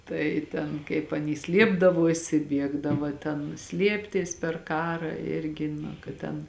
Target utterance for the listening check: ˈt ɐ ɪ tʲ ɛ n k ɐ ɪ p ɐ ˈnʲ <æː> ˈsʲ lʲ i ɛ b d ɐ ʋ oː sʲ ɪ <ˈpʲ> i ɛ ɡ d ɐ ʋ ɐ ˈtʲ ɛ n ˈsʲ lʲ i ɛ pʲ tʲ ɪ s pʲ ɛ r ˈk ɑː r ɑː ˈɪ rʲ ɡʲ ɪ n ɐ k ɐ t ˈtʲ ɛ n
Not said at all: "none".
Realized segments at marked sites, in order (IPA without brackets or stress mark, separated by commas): iː, bʲ